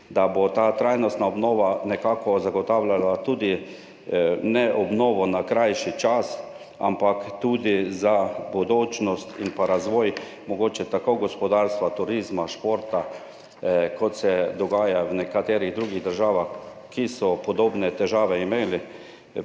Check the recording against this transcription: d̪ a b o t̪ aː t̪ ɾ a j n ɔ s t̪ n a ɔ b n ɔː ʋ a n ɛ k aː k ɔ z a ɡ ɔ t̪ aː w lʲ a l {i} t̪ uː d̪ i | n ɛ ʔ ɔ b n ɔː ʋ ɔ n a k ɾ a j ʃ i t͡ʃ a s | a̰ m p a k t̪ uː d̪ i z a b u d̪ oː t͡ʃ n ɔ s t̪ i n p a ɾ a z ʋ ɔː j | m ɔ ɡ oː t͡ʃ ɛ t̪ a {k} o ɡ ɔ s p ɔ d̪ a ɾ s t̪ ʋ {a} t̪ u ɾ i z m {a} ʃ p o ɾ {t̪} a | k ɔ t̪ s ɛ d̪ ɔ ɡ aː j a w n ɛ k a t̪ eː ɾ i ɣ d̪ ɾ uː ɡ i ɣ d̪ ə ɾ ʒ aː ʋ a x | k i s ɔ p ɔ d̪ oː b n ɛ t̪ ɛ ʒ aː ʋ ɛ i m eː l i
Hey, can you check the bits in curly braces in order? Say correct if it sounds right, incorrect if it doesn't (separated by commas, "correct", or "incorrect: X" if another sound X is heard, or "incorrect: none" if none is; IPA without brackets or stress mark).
incorrect: a, correct, correct, correct, correct